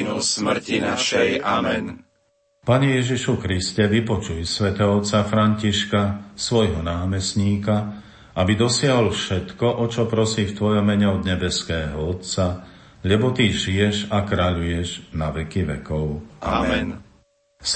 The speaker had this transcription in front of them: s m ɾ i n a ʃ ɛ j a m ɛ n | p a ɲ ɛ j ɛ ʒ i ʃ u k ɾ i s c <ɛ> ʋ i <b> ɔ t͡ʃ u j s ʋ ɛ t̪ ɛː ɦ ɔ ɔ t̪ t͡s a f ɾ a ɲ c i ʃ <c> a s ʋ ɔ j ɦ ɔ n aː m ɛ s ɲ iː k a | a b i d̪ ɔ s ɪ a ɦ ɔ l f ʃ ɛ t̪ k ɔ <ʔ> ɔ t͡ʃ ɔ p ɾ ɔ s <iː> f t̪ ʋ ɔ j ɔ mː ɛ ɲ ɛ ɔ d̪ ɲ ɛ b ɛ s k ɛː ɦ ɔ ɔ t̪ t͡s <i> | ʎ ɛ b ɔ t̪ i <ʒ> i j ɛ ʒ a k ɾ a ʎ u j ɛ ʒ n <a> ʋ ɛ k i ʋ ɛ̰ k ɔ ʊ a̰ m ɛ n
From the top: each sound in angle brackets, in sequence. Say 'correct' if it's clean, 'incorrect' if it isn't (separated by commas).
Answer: correct, incorrect, incorrect, correct, correct, incorrect, correct, correct